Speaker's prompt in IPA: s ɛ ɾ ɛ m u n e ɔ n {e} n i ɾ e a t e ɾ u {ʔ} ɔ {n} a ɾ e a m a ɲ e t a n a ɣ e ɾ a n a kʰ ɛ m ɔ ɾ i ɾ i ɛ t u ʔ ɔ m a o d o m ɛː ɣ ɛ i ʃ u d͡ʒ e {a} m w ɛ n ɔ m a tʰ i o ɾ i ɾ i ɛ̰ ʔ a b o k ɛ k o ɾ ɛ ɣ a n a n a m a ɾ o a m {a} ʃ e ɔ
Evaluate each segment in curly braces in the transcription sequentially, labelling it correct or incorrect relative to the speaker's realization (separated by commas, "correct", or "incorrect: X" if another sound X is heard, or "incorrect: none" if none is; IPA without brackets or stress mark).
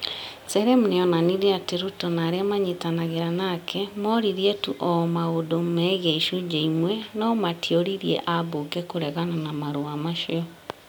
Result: incorrect: a, incorrect: t, correct, incorrect: i, correct